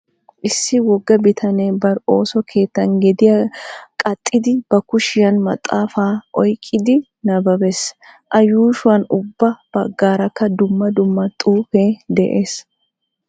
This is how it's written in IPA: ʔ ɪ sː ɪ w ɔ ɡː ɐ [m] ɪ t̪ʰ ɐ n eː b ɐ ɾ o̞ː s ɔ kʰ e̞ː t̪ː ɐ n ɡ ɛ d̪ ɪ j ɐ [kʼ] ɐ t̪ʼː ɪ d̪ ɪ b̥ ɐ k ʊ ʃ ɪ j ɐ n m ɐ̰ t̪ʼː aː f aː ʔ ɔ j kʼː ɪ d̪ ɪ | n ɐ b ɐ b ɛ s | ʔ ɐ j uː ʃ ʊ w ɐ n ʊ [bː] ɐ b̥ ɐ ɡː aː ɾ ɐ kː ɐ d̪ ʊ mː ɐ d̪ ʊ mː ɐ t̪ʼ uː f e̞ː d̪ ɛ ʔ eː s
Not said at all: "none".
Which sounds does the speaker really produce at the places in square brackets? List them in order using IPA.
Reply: b, kʼ, bː

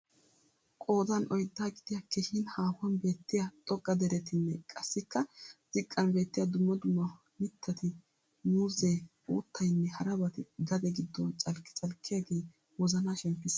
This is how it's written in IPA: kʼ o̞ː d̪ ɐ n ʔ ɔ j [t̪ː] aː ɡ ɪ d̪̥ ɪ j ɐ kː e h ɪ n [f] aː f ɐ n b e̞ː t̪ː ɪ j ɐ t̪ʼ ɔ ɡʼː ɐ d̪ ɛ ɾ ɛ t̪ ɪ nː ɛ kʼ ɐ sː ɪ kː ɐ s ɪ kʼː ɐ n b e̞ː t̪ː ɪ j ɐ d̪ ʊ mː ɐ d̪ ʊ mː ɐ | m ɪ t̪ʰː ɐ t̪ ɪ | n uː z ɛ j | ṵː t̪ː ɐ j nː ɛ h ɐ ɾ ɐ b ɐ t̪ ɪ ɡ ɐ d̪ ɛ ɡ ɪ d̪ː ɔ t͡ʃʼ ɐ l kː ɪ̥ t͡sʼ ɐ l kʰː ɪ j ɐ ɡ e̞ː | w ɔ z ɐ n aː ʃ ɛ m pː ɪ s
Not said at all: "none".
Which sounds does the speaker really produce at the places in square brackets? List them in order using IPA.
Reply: d̪ː, h

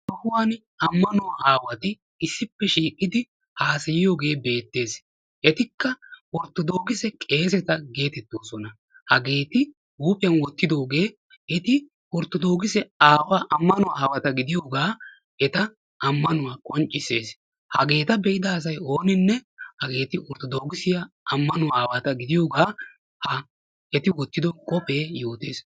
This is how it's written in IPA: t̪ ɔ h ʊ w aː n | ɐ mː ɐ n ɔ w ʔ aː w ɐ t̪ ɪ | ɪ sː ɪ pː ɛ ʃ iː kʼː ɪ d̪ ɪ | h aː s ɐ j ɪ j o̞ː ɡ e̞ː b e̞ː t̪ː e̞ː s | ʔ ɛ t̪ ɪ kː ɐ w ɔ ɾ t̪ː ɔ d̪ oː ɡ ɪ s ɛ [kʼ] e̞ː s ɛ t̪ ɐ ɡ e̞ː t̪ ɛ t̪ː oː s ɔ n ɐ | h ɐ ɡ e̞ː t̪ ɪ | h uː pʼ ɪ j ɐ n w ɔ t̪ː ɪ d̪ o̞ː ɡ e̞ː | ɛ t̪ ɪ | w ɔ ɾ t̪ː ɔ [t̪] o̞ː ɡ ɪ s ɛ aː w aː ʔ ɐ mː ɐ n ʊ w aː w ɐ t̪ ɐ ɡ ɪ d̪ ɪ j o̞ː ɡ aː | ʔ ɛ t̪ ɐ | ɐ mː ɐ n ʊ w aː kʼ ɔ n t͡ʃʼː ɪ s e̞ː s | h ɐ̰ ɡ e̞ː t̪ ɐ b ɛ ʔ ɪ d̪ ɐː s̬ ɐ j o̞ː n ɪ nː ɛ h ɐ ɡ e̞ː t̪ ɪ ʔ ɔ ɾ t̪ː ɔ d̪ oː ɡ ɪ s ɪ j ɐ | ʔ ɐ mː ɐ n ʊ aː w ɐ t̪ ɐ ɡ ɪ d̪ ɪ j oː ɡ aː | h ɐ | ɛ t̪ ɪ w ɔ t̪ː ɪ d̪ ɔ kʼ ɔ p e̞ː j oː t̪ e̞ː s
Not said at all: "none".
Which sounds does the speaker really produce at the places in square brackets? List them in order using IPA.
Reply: kʼ, d̪

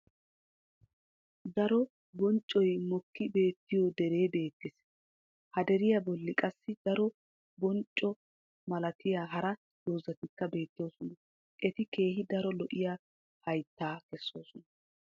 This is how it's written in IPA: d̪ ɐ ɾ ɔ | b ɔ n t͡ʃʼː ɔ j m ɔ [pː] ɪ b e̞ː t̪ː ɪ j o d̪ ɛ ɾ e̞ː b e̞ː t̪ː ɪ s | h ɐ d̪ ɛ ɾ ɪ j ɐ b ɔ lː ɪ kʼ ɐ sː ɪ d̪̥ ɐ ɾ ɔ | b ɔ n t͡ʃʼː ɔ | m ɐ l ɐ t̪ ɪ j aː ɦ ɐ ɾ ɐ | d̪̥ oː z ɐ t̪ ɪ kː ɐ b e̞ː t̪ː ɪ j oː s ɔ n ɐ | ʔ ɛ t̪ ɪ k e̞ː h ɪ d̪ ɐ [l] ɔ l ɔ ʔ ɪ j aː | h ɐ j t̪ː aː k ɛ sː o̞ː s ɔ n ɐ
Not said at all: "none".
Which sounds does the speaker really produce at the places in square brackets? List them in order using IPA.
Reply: kː, ɾ

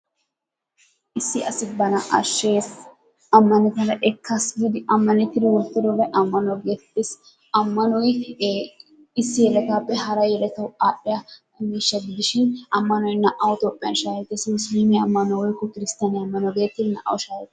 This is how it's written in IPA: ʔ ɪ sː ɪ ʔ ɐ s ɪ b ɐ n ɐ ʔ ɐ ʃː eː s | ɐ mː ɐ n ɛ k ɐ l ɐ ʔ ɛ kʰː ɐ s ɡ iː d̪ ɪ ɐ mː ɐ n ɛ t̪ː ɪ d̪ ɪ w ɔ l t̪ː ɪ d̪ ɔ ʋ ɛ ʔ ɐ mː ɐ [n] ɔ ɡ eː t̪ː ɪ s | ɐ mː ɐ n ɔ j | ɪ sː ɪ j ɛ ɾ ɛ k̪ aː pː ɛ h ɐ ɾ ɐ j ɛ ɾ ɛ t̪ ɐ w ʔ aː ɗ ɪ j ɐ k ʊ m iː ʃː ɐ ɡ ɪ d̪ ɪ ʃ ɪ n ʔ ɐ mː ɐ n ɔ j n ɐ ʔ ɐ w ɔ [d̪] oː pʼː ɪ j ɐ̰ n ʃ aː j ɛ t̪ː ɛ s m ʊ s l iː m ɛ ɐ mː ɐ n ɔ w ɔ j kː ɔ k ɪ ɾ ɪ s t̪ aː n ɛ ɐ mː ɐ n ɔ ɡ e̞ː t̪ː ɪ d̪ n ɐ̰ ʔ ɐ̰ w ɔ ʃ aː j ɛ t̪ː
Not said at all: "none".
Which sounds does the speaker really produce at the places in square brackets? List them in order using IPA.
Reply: n, t̪

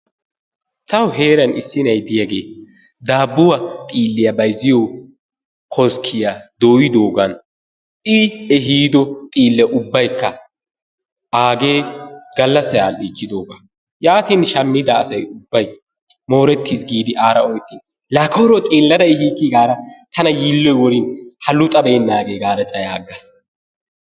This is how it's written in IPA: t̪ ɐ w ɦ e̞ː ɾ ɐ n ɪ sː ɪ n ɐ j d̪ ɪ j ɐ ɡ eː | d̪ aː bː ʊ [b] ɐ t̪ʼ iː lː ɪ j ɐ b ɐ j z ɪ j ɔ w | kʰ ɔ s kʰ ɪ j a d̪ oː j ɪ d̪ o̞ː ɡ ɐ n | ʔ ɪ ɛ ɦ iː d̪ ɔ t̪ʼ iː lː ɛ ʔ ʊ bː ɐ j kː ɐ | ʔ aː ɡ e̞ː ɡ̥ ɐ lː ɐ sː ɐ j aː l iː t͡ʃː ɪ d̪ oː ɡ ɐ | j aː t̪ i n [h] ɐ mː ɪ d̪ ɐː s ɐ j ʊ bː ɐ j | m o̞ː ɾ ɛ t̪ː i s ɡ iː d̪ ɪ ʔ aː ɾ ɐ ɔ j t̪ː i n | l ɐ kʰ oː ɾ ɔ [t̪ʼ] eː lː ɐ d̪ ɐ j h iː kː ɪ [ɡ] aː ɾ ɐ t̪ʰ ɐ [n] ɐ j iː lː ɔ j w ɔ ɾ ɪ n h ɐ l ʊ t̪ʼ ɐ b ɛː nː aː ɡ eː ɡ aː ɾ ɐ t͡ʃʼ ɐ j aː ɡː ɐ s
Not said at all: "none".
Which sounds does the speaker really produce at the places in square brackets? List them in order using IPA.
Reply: w, ʃ, t̪ʼ, ɡ, n

